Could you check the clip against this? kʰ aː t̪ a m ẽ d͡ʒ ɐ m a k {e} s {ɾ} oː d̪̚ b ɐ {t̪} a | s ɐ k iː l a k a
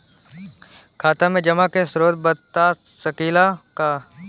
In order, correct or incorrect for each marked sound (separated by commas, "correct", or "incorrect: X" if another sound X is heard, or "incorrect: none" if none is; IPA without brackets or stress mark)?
correct, correct, correct